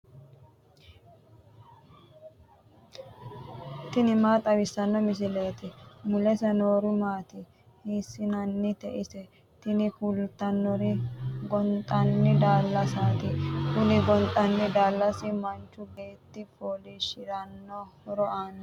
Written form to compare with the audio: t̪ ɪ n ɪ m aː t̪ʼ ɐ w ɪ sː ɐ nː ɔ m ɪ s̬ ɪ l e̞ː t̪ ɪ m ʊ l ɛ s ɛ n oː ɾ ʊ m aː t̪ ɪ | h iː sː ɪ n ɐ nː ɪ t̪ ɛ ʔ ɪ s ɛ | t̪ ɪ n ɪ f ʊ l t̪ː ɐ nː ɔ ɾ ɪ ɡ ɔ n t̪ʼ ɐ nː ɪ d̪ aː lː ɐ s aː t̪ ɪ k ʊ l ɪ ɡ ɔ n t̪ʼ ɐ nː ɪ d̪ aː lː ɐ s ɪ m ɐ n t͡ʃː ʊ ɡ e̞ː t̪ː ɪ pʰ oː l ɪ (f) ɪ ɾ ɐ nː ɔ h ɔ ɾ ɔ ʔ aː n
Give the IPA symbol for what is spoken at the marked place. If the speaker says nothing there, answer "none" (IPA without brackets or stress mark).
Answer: ʃ